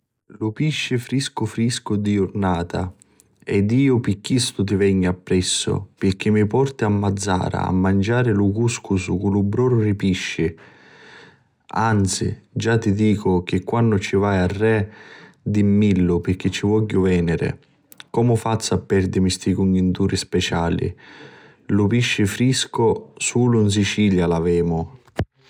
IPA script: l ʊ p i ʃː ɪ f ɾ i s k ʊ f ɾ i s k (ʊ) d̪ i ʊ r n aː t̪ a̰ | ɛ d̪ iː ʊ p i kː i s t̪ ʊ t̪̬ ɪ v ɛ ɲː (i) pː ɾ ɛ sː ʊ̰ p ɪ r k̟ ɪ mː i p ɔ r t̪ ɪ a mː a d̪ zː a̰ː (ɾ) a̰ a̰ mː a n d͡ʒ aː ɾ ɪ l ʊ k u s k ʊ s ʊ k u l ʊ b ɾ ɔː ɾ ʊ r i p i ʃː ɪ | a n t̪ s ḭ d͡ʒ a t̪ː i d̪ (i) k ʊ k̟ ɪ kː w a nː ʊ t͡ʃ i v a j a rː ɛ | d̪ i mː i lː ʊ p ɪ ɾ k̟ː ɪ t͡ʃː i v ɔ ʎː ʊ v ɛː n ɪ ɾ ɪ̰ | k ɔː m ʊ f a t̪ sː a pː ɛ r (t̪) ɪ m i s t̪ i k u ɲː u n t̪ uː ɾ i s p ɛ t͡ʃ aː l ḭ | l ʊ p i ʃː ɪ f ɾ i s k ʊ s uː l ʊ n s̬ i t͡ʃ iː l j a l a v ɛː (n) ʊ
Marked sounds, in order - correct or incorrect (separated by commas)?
correct, incorrect, correct, incorrect, incorrect, incorrect